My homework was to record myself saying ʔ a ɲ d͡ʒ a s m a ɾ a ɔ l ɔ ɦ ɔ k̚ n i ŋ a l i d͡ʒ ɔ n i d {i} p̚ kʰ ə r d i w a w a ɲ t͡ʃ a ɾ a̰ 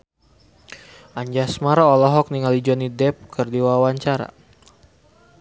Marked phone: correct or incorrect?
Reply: incorrect